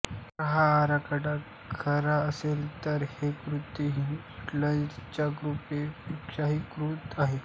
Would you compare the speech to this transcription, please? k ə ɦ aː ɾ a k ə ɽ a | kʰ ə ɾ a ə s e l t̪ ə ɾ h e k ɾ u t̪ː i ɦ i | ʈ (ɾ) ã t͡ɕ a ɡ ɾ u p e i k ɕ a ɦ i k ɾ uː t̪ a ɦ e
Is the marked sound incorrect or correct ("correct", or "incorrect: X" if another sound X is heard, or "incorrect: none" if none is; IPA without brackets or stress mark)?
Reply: incorrect: l